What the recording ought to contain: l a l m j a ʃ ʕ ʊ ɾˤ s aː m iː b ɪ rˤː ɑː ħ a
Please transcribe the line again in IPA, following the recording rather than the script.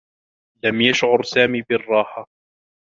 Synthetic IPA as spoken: l a m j a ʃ ʕ ʊ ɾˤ s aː m iː b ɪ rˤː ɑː ħ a